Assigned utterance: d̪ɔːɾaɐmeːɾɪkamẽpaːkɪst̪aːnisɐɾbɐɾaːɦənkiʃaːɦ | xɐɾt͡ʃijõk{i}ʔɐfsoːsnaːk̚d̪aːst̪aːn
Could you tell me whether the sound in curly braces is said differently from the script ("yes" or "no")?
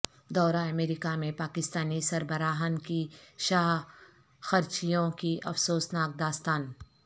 no